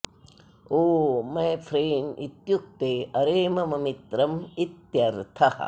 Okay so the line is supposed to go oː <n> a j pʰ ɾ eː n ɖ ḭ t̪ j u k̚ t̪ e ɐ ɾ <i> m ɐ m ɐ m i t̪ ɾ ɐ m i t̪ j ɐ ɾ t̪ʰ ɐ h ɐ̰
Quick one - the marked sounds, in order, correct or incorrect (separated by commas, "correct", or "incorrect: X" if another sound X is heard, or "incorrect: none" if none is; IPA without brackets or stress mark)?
incorrect: m, incorrect: e